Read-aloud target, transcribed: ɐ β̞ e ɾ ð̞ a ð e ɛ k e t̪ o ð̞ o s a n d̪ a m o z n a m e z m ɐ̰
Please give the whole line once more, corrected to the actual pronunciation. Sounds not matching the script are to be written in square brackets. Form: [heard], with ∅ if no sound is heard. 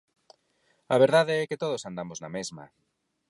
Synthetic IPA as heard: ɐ β̞ e ɾ ð̞ a ð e ɛ k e t̪ o ð̞ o s a n d̪ a m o z n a m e z m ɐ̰

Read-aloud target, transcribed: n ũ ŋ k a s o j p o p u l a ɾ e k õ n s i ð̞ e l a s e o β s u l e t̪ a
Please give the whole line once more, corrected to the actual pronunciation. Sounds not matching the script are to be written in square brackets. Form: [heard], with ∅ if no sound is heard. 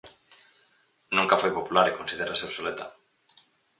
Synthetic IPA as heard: n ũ ŋ k a [f] o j p o p u l a ɾ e k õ n s i ð̞ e [ɾ] a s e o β s [o] l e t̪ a

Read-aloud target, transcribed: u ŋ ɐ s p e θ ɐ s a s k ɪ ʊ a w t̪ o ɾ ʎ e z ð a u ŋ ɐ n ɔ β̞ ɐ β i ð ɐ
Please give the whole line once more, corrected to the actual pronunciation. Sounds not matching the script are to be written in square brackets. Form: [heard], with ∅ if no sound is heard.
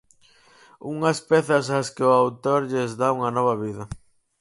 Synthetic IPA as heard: u ŋ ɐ s p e θ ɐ s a s k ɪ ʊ a w t̪ o ɾ ʎ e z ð a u ŋ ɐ n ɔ β̞ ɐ β i ð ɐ

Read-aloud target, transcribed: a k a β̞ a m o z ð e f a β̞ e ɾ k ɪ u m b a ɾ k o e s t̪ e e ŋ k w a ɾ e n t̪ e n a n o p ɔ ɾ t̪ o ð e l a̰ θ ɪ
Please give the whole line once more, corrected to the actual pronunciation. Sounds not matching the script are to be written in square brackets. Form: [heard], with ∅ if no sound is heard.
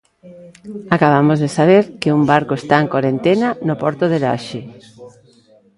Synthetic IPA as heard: a k a β̞ a m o z ð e [s] a β̞ e ɾ k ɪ u m b a ɾ k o e s t̪ [a] e ŋ k w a ɾ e n t̪ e n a n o p ɔ ɾ t̪ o ð e l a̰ [ʃ] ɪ

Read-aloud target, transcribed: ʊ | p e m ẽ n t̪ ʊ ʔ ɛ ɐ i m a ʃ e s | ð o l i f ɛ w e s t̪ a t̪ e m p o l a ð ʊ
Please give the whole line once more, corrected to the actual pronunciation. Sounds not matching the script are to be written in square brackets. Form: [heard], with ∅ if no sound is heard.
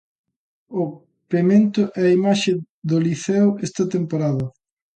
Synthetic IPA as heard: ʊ | p e m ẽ n t̪ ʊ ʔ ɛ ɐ i m a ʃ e [∅] | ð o l i [θ] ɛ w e s t̪ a t̪ e m p o [ɾ] a ð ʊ

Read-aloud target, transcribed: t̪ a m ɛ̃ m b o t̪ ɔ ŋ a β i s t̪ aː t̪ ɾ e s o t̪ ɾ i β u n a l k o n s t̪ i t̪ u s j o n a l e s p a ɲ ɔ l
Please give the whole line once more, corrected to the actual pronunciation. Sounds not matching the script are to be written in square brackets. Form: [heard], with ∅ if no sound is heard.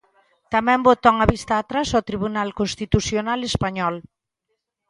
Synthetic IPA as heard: t̪ a m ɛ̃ m b o t̪ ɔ ŋ a β i s t̪ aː t̪ ɾ [a] s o t̪ ɾ i β u n a l k o n s t̪ i t̪ u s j o n a l e s p a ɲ ɔ l

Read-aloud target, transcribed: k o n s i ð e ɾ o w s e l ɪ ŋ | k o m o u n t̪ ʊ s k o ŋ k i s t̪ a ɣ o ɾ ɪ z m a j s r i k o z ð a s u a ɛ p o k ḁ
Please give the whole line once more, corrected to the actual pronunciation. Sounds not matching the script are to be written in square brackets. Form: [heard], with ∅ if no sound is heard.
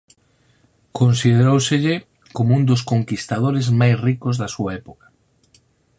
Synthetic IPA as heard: k o n s i ð e ɾ o w s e [ʎ] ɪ [∅] | k o m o u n [d̪] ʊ s k o ŋ k i s t̪ a [ð] o ɾ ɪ z m a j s r i k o z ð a s u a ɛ p o k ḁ

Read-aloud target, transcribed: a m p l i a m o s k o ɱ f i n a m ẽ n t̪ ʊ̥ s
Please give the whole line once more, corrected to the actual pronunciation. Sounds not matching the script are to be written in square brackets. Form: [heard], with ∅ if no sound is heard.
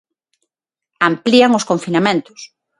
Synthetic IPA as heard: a m p l i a [ŋ] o s k o ɱ f i n a m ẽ n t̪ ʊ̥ s

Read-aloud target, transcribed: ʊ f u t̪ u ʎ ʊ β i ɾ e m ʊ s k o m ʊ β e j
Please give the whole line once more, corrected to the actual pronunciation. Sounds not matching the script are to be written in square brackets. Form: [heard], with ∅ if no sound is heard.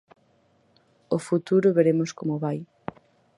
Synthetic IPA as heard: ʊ f u t̪ u [ɾ] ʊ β [e] ɾ e m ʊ s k o m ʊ β [a] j

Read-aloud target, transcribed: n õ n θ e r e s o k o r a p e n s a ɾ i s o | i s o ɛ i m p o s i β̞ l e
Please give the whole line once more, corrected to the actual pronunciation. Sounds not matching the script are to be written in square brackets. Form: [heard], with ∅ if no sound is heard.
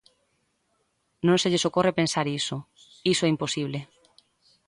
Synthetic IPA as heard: n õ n [s] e [ʎ] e s o k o r [e] p e n s a ɾ i s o | i s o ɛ i m p o s i β̞ l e

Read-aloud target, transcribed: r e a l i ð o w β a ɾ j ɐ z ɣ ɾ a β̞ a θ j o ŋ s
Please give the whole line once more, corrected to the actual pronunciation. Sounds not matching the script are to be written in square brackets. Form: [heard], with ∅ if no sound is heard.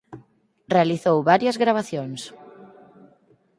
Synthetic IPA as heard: r e a l i [θ] o w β a ɾ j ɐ z ɣ ɾ a β̞ a θ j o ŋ s

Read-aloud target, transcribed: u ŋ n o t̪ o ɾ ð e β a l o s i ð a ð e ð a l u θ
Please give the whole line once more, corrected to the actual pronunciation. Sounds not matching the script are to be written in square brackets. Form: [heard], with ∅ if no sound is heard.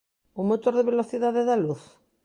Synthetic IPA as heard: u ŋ [m] o t̪ o ɾ ð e β [e] l o [θ] i ð a ð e ð a l u θ

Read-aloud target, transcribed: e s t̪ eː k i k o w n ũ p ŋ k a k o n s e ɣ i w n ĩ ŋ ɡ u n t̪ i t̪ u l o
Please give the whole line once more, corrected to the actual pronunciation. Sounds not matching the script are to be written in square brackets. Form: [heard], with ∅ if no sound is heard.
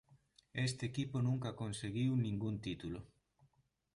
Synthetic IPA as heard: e s t̪ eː k i [p] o [∅] n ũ [∅] ŋ k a k o n s e ɣ i w n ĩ ŋ ɡ u n t̪ i t̪ u l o

